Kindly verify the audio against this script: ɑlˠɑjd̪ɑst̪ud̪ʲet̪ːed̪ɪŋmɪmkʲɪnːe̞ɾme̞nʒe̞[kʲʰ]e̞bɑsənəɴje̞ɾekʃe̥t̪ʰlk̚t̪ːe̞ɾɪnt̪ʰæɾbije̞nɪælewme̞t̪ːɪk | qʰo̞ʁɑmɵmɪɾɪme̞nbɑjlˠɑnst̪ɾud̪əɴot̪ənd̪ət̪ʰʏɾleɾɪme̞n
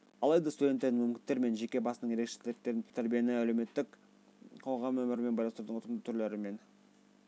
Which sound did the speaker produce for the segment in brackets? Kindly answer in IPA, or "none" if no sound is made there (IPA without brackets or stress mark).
kʲ